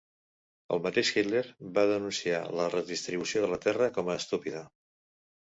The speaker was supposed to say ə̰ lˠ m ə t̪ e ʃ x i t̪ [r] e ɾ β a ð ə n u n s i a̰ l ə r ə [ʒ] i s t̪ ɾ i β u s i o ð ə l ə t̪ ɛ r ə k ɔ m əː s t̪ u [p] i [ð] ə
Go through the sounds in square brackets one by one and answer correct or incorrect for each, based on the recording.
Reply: incorrect: l, incorrect: ð, correct, correct

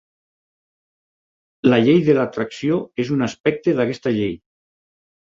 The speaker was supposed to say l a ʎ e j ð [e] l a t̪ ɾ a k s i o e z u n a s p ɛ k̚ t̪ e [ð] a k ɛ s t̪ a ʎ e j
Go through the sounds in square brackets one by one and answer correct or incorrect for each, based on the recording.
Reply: correct, correct

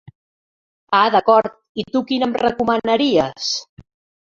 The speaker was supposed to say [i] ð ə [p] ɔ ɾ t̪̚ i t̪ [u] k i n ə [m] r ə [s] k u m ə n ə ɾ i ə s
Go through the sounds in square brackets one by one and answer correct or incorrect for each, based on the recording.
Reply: incorrect: a, incorrect: k, correct, correct, incorrect: none

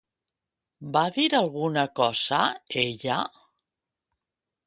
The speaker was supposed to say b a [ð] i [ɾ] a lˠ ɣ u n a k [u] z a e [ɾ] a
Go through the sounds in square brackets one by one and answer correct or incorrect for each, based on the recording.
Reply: correct, correct, incorrect: ɔ, incorrect: ʎ

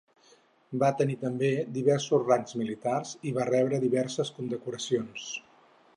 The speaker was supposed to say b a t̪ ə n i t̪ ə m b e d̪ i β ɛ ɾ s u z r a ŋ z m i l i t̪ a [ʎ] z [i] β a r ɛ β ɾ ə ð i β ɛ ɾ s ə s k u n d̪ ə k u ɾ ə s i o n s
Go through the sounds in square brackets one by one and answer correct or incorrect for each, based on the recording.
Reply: incorrect: r, correct

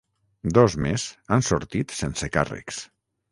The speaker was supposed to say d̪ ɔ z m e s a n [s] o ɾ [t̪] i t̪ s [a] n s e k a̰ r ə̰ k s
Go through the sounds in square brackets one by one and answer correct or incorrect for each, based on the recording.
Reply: correct, correct, incorrect: e

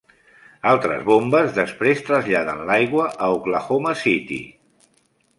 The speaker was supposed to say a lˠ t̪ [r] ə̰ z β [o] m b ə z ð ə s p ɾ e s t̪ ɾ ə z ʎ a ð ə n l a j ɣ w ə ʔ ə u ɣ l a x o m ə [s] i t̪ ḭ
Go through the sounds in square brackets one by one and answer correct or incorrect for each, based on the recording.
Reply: incorrect: ɾ, correct, correct

